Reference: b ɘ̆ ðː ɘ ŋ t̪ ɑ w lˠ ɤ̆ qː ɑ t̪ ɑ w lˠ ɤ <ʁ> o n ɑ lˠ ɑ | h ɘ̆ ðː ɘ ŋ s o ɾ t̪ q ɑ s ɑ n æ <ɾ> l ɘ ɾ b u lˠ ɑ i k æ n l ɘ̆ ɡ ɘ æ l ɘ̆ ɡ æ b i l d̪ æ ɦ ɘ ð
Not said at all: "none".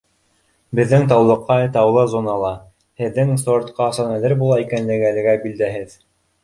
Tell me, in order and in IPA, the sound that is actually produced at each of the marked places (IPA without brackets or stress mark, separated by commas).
z, none